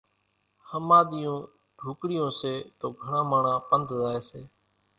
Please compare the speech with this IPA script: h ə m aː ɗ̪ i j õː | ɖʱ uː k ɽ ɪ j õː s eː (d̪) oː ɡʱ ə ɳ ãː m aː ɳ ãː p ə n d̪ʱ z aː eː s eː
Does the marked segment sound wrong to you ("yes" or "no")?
yes